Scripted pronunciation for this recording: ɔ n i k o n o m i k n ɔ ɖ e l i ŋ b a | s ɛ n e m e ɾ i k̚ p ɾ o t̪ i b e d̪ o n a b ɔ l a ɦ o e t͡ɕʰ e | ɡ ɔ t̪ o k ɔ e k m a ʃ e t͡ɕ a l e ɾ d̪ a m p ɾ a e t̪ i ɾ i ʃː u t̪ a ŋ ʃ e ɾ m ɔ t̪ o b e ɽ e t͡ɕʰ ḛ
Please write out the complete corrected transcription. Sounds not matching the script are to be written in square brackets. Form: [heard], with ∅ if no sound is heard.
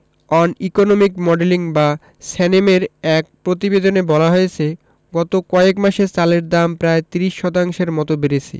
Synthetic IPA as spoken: ɔ n i k o n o m i k [m] ɔ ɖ e l i ŋ b a | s ɛ n e m e ɾ [ɛ] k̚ p ɾ o t̪ i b e d̪ o n [e] b ɔ l a ɦ o e t͡ɕʰ e | ɡ ɔ t̪ o k ɔ e k m a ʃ e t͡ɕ a l e ɾ d̪ a m p ɾ a e t̪ i ɾ i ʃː [ɔ] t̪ a ŋ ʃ e ɾ m ɔ t̪ o b e [ɾ] e t͡ɕʰ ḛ

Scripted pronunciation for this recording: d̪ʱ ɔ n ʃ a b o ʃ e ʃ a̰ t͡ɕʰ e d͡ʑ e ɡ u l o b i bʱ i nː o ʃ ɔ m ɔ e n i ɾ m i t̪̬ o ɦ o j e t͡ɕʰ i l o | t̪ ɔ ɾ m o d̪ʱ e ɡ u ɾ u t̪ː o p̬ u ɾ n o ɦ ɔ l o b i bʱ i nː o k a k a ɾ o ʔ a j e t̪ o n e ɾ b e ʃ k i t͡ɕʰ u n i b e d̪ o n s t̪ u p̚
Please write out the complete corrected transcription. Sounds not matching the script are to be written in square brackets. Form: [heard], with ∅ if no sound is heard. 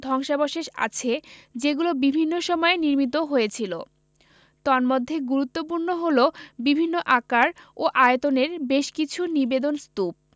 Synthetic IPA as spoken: d̪ʱ ɔ [ŋ] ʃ a b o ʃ e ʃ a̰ t͡ɕʰ e d͡ʑ e ɡ u l o b i bʱ i nː o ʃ ɔ m ɔ e n i ɾ m i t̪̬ o ɦ o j e t͡ɕʰ i l o | t̪ ɔ ɾ m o [d̪ʱː] e ɡ u ɾ u t̪ː o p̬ u ɾ n o ɦ [o] l o b i bʱ i nː o [ʔ] a k a ɾ o ʔ a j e t̪ o n e ɾ b e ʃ k i t͡ɕʰ u n i b e d̪ o n s t̪ u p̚

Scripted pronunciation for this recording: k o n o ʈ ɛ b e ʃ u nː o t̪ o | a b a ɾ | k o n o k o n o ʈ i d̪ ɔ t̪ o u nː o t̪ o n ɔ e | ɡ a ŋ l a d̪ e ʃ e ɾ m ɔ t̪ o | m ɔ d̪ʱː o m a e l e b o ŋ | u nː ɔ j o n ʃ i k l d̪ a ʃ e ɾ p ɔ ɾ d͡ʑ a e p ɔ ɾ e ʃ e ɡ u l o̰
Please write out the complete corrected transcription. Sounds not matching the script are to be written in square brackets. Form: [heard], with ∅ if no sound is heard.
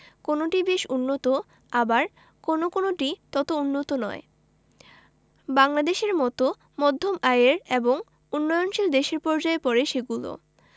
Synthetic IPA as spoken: k o n o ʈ [i] b e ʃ u nː o t̪ o | a b a ɾ | k o n o k o n o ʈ i [t̪] ɔ t̪ o u nː o t̪ o n ɔ e | [b] a ŋ l a d̪ e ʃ e ɾ m ɔ t̪ o | m ɔ d̪ʱː o m a e [ɾ] e b o ŋ | u nː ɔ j o n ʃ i [∅] l d̪ [e] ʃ e ɾ p ɔ ɾ d͡ʑ a e p ɔ ɾ e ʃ e ɡ u l o̰

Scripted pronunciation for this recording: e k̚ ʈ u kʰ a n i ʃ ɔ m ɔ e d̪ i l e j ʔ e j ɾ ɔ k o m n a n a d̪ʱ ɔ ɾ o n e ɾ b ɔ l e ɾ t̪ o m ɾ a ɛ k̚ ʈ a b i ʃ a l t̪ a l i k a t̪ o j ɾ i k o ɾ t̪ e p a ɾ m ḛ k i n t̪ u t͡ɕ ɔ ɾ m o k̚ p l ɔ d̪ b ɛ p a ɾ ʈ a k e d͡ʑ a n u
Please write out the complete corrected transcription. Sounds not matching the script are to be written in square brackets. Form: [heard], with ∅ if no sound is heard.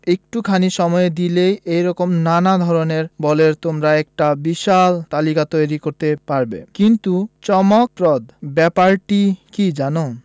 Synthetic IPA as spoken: e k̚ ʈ u kʰ a n i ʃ ɔ m ɔ e d̪ i l e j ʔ e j ɾ ɔ k o m n a n a d̪ʱ ɔ ɾ o n e ɾ b ɔ l e ɾ t̪ o m ɾ a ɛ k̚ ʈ a b i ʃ a l t̪ a l i k a t̪ o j ɾ i k o ɾ t̪ e p a ɾ [b] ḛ k i n t̪ u t͡ɕ ɔ [∅] m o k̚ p [ɾ] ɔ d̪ b ɛ p a ɾ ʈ [i] k [i] d͡ʑ a n [o]

